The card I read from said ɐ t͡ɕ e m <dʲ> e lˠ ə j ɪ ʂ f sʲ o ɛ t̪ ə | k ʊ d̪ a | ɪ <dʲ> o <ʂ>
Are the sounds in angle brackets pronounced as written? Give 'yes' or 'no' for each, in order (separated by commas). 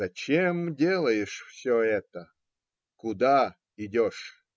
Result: yes, yes, yes